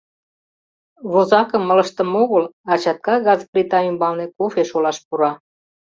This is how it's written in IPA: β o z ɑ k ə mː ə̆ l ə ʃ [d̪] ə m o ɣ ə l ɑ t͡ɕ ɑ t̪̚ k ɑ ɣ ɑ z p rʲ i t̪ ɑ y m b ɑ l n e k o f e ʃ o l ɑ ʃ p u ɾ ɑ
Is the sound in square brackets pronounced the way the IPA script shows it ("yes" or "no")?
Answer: no